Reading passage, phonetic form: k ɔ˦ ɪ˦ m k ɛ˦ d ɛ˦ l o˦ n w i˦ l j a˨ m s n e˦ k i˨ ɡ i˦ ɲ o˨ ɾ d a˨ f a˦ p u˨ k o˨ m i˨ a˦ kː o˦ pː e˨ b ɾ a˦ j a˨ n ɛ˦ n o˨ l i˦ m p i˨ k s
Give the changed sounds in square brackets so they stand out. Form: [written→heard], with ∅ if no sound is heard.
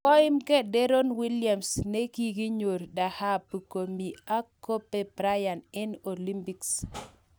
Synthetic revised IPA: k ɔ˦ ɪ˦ m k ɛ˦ d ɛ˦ [l→ɾ] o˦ n w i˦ l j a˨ m s n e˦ k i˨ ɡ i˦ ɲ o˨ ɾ d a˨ [f→h] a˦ p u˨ k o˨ m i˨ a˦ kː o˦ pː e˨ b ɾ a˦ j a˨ n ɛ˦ n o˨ l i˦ m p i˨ k s